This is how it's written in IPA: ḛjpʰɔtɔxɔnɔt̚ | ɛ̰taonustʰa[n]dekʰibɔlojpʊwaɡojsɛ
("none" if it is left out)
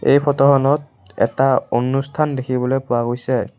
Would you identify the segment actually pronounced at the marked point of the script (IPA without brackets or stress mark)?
n